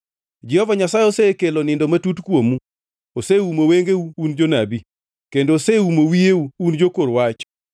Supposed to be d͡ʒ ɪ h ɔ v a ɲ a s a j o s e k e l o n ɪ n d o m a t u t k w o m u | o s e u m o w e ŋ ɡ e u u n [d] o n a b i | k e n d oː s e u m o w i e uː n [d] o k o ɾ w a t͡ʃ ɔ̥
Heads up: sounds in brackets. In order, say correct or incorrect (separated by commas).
incorrect, incorrect